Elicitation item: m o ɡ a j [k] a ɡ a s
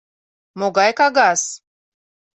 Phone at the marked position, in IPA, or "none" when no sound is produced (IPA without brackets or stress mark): k